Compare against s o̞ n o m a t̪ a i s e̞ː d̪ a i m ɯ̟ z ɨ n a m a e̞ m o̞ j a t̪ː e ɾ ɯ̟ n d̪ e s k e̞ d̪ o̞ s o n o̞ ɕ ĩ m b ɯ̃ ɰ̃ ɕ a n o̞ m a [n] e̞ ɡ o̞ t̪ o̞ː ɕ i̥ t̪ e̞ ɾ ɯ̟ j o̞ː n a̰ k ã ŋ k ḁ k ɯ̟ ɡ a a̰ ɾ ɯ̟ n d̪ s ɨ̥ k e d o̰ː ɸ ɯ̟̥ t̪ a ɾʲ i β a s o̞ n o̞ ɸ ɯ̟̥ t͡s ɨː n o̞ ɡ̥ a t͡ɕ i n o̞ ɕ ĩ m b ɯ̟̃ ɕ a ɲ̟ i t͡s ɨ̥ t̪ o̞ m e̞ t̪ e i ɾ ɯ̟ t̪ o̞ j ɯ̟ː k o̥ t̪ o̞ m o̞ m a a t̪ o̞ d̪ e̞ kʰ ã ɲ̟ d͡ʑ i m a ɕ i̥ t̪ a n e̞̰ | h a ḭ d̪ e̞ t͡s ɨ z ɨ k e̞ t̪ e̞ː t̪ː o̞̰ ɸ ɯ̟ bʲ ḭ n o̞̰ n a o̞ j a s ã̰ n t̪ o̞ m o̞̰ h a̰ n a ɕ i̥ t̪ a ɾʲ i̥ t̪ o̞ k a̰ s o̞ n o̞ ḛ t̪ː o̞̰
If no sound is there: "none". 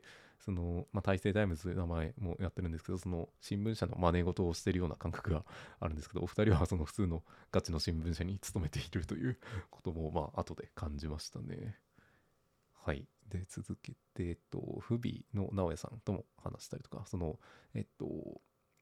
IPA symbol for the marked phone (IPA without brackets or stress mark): n